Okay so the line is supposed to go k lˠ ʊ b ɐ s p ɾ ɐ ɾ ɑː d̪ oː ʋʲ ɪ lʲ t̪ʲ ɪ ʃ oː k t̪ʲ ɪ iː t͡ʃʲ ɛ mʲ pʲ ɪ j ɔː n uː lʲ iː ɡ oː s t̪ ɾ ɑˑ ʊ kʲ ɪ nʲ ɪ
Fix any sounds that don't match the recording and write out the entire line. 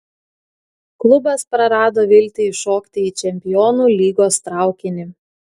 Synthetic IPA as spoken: k lˠ ʊ b ɐ s p ɾ ɐ ɾ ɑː d̪ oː ʋʲ ɪ lʲ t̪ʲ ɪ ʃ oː k t̪ʲ ɪ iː t͡ʃʲ ɛ mʲ pʲ ɪ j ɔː n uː lʲ iː ɡ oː s t̪ ɾ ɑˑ ʊ kʲ ɪ nʲ ɪ

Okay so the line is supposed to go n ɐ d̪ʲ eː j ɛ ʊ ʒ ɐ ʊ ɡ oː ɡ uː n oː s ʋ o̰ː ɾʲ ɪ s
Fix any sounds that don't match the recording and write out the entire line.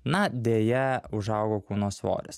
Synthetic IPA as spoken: n ɐ d̪ʲ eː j ɛ ʊ ʒ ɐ ʊ ɡ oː k uː n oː s ʋ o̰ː ɾʲ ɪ s

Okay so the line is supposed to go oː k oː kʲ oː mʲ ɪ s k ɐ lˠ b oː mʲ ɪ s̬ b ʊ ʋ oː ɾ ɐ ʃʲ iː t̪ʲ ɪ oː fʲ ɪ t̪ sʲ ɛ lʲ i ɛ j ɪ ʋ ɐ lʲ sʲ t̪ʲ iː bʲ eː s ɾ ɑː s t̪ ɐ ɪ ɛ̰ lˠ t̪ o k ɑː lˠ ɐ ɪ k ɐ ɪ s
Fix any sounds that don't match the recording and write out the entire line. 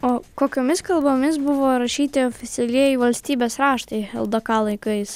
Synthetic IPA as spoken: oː k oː kʲ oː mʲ ɪ s k ɐ lˠ b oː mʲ ɪ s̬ b ʊ ʋ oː ɾ ɐ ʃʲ iː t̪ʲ ɪ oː fʲ ɪ t̪ sʲ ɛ lʲ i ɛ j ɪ ʋ ɐ lʲ sʲ t̪ʲ iː bʲ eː s ɾ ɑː ʃ t̪ ɐ ɪ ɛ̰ lˠ d̪ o k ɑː lˠ ɐ ɪ k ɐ ɪ s

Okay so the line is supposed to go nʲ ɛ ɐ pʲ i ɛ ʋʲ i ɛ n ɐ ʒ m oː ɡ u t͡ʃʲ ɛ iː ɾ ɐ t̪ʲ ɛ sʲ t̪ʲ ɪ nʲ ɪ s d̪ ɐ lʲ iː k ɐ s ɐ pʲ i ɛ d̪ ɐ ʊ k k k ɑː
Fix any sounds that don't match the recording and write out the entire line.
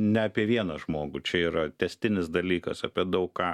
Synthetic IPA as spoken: nʲ ɛ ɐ pʲ i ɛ ʋʲ i ɛ n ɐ ʒ m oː ɡ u t͡ʃʲ ɛ iː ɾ ɐ t̪ʲ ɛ sʲ t̪ʲ ɪ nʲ ɪ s d̪ ɐ lʲ iː k ɐ s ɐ pʲ i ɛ d̪ ɐ ʊ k k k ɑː

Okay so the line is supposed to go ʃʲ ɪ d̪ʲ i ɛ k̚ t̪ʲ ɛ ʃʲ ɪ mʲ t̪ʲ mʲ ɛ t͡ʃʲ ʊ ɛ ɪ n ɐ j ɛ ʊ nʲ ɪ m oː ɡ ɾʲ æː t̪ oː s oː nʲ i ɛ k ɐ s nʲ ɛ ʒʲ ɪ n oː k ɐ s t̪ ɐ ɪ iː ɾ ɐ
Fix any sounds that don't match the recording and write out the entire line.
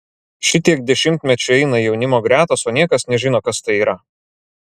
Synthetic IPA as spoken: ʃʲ ɪ t̪ʲ i ɛ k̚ d̪ʲ ɛ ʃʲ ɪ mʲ t̪ʲ mʲ ɛ t͡ʃʲ ʊ ɛ ɪ n ɐ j ɛ ʊ nʲ ɪ m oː ɡ ɾʲ æː t̪ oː s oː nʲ i ɛ k ɐ s nʲ ɛ ʒʲ ɪ n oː k ɐ s t̪ ɐ ɪ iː ɾ ɐ

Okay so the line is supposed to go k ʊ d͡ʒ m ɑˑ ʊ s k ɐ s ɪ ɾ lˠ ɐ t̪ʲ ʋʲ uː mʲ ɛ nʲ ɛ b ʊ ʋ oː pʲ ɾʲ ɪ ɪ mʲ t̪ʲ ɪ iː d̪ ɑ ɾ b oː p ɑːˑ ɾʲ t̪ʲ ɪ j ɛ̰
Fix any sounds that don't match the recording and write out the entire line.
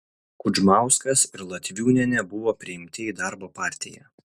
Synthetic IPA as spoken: k ʊ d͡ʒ m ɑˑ ʊ s k ɐ s ɪ ɾ lˠ ɐ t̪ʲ ʋʲ uː nʲ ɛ nʲ ɛ b ʊ ʋ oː pʲ ɾʲ ɪ ɪ mʲ t̪ʲ ɪ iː d̪ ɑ ɾ b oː p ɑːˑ ɾʲ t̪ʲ ɪ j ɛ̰

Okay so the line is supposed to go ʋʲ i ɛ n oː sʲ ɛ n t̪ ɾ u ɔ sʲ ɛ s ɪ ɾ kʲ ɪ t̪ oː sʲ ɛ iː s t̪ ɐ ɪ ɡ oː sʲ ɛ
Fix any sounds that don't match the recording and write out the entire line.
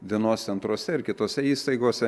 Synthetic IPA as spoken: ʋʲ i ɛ n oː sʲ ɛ n t̪ ɾ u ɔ sʲ ɛ ɪ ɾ kʲ ɪ t̪ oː sʲ ɛ iː s t̪ ɐ ɪ ɡ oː sʲ ɛ

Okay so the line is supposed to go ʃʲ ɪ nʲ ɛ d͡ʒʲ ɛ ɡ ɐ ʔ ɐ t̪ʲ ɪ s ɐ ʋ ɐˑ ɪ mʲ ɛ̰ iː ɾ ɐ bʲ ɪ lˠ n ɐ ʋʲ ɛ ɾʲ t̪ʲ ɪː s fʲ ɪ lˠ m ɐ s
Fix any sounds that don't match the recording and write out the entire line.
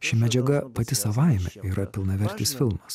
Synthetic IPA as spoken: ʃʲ ɪ mʲ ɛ d͡ʒʲ ɛ ɡ ɐ p ɐ t̪ʲ ɪ s ɐ ʋ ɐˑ ɪ mʲ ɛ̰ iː ɾ ɐ pʲ ɪ lˠ n ɐ ʋʲ ɛ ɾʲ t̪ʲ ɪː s fʲ ɪ lˠ m ɐ s

